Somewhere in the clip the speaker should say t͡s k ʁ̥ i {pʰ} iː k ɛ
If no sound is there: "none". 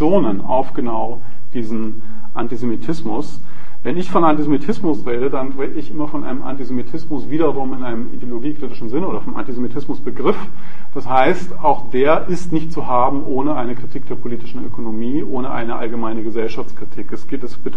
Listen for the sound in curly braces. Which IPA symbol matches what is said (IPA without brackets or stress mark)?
tʰ